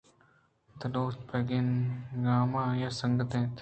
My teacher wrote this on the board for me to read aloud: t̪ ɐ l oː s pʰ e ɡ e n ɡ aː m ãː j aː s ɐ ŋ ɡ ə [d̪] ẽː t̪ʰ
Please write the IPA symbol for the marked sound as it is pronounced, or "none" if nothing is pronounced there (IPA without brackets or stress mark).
t̪